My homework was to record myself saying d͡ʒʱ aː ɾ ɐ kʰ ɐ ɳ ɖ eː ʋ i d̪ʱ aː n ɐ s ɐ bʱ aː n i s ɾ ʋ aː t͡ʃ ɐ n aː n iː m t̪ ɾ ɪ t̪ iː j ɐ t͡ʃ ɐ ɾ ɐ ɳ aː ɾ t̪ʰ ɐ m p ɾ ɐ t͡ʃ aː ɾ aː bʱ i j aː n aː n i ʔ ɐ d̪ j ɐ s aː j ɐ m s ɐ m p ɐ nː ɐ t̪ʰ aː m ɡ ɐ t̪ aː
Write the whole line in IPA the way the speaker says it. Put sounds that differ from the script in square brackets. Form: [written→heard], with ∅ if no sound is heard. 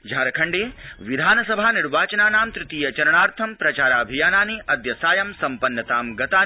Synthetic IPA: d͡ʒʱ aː ɾ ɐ kʰ ɐ ɳ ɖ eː ʋ i d̪ʱ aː n ɐ s ɐ bʱ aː n i [s→∅] ɾ ʋ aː t͡ʃ ɐ n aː n [iː→aː] m t̪ ɾ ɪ t̪ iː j ɐ t͡ʃ ɐ ɾ ɐ ɳ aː ɾ t̪ʰ ɐ m p ɾ ɐ t͡ʃ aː ɾ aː bʱ i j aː n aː n i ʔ ɐ d̪ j ɐ s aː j ɐ m s ɐ m p ɐ nː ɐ [t̪ʰ→t̪] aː m ɡ ɐ t̪ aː